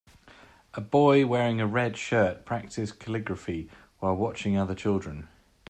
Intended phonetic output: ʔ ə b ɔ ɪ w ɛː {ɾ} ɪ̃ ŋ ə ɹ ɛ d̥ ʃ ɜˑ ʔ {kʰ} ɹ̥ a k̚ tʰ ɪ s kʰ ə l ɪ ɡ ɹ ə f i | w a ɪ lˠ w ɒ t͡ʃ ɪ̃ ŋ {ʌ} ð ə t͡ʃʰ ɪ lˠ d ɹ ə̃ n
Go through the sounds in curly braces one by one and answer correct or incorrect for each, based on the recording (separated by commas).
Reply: incorrect, incorrect, correct